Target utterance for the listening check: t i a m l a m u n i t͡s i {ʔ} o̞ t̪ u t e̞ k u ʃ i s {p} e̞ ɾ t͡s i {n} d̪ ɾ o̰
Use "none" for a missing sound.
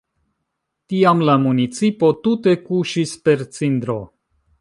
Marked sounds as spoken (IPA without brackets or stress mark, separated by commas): p, p, n